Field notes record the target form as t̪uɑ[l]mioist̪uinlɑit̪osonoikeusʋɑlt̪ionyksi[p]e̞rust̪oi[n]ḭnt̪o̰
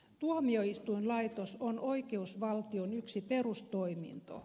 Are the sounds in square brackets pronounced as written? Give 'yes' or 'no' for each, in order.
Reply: no, yes, no

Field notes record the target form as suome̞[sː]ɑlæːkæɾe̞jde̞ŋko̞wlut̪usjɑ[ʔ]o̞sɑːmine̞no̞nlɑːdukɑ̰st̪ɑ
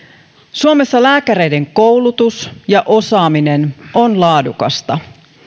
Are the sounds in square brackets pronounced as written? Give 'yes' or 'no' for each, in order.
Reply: yes, yes

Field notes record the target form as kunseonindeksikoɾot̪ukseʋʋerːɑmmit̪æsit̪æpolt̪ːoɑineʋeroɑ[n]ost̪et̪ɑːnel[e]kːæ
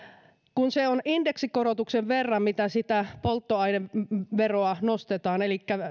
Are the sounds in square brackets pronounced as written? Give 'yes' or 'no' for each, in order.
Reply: yes, no

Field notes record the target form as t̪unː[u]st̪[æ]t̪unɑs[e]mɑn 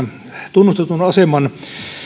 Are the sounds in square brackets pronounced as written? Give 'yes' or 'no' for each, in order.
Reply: yes, no, yes

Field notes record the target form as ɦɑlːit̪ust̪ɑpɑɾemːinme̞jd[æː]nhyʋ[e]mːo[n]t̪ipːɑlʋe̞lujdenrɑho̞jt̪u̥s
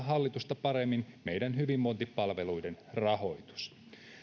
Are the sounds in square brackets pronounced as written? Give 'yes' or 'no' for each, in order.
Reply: no, no, yes

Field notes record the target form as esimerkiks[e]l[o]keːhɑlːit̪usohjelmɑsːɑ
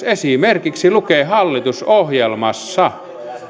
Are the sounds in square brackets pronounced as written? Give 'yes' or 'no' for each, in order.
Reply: no, no

